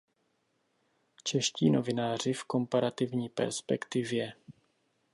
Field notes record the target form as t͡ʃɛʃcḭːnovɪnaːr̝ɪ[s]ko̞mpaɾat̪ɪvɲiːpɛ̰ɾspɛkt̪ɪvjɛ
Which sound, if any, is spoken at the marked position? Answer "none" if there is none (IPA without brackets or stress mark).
f